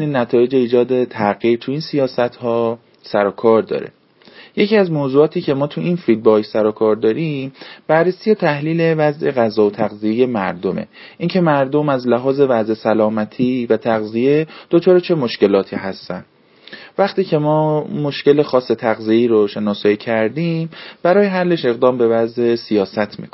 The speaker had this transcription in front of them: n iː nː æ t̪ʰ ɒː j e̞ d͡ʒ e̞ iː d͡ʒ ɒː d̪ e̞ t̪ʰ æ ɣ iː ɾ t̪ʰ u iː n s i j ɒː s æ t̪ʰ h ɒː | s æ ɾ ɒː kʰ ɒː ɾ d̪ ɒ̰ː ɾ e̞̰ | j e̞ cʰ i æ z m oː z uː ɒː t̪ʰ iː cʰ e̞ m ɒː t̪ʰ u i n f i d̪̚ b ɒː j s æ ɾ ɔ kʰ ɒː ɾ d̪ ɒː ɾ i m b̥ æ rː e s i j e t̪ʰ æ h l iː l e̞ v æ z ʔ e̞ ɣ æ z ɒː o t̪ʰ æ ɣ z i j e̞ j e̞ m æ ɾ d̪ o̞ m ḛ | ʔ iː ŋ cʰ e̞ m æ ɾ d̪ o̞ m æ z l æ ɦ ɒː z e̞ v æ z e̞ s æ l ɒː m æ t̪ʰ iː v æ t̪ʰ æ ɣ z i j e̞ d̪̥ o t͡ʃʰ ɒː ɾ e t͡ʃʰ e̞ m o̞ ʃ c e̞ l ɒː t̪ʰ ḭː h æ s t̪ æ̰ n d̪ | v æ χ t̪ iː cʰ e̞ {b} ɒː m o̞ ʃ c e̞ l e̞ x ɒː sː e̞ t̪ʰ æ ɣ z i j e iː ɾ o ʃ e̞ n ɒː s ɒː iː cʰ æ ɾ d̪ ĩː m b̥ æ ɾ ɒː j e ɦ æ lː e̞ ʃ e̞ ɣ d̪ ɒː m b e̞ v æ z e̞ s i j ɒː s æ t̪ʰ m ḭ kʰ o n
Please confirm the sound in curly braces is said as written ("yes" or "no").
no